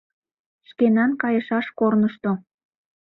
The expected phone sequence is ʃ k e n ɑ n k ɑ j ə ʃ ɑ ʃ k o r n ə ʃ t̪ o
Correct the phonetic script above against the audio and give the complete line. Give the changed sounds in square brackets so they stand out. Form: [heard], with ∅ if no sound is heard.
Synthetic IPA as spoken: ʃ k e n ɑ n k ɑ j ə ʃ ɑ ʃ k o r n ə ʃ t̪ o